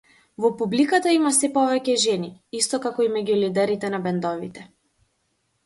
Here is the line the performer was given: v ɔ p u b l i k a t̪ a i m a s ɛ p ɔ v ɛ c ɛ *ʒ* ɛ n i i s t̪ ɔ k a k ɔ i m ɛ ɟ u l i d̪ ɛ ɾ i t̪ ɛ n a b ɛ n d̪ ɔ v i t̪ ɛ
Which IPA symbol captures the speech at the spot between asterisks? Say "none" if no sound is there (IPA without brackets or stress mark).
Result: ʒ